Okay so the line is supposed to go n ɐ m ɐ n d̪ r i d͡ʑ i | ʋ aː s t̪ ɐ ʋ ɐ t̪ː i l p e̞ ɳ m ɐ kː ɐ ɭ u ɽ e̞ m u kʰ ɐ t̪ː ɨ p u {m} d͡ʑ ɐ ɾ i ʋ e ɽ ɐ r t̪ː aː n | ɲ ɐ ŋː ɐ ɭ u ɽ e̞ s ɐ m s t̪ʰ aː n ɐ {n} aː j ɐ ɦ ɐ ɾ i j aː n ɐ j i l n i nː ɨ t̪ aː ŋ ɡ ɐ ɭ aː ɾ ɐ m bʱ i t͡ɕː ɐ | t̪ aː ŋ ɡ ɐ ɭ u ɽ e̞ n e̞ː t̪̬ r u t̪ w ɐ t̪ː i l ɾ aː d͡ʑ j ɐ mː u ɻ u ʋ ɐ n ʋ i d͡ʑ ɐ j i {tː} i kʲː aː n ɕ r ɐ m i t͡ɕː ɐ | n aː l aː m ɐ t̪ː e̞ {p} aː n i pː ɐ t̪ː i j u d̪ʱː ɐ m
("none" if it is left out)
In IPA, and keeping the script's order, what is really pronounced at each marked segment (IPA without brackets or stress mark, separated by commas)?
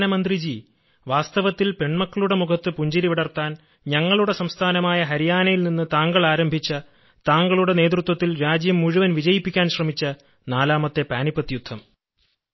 ɲ, m, pː, p